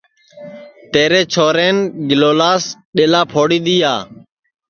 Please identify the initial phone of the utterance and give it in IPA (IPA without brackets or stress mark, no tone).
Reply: t̪